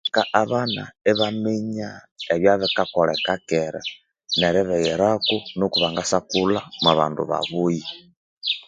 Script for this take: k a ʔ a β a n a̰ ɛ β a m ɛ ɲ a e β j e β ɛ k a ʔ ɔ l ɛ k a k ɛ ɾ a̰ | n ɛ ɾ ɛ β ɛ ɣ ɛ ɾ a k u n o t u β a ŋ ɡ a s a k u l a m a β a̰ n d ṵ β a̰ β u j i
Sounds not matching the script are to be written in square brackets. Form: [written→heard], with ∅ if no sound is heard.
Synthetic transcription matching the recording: k a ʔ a β a n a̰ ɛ β a m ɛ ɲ a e β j [e→a] β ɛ k a [ʔ→k] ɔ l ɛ k a k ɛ ɾ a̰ | n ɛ ɾ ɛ β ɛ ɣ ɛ ɾ a k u n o [t→k] u β a ŋ ɡ a s a k u l a m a β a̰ n d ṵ β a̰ β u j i